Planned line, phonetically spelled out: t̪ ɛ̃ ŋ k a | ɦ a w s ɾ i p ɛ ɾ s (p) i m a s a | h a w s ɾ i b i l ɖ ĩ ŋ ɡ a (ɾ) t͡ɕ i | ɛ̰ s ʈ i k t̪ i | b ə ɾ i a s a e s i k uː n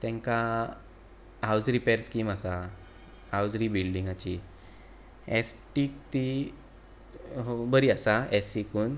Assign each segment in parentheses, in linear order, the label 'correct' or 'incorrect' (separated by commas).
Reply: incorrect, incorrect